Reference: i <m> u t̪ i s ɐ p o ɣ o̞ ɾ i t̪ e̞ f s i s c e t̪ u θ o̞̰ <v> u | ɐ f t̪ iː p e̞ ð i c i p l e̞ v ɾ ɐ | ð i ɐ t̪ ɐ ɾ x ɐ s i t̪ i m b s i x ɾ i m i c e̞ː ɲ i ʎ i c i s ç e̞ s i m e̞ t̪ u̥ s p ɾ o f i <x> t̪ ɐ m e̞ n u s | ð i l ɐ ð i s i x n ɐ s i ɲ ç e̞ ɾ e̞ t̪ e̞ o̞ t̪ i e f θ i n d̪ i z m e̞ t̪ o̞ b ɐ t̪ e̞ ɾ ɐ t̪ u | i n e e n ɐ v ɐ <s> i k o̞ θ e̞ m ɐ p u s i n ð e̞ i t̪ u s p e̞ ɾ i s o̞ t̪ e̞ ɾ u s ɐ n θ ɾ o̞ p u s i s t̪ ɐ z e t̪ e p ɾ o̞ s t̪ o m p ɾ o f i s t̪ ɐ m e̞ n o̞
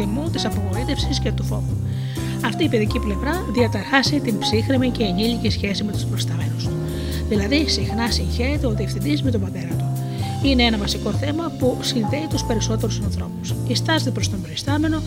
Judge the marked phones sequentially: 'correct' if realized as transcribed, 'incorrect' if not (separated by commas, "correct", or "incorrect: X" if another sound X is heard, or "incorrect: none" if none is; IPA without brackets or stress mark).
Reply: correct, correct, incorrect: s, correct